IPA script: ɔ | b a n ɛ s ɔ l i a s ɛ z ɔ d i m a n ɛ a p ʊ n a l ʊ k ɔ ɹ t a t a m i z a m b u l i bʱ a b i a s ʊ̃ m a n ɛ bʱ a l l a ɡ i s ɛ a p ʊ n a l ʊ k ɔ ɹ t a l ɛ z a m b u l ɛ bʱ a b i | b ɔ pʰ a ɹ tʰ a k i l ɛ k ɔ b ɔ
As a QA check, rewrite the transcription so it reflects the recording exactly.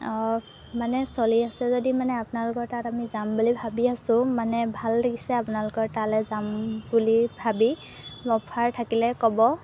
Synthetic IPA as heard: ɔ | m a n ɛ s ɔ l i a s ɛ z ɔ d i m a n ɛ a p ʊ n a l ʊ k ɔ ɹ t a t a m i z a m b u l i bʱ a b i a s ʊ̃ m a n ɛ bʱ a l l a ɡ i s ɛ a p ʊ n a l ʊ k ɔ ɹ t a l ɛ z a m b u l i bʱ a b i | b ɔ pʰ a ɹ tʰ a k i l ɛ k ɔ b ɔ